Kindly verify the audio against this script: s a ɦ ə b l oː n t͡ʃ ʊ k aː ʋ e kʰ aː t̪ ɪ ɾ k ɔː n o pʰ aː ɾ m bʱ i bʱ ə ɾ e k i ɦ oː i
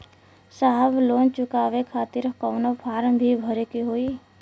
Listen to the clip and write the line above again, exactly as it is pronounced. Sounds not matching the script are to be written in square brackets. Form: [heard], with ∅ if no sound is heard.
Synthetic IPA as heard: s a ɦ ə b l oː n t͡ʃ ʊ k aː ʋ e kʰ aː t̪ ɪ ɾ k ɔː n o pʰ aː ɾ m bʱ i bʱ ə ɾ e k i ɦ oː i